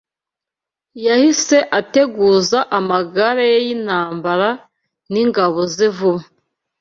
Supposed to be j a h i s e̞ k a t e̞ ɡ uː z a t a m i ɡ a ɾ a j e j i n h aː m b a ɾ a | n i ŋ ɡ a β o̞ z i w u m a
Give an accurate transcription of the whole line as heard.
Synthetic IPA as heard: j a h i s e̞ ʔ a t e̞ ɡ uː z a ʔ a m a ɡ a ɾ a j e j i n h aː m b a ɾ a | n i ŋ ɡ a β o̞ z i v u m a